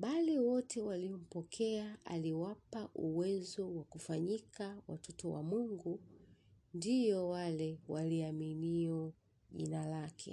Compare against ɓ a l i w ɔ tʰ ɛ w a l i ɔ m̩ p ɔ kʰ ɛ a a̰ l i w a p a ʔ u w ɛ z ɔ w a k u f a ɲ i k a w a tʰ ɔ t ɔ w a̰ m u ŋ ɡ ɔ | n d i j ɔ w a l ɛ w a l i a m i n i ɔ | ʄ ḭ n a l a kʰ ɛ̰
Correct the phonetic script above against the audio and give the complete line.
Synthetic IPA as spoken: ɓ a l i w ɔ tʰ ɛ w a l i ɔ m̩ p ɔ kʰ ɛ a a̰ l i w a p a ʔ u w ɛ z ɔ w a k u f a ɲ i k a w a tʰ ɔ t ɔ w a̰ m u ŋ ɡ u | n d i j ɔ w a l ɛ w a l i a m i n i ɔ | ʄ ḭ n a l a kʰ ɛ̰